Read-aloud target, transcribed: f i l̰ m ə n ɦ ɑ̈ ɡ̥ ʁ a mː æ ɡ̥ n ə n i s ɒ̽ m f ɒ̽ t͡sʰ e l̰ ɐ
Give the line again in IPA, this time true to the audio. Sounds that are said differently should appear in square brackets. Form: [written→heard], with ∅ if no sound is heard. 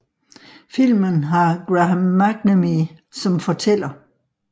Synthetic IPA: f i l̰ m ə n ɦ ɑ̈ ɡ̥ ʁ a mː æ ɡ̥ n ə [n→m] i s ɒ̽ m f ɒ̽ t͡sʰ e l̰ ɐ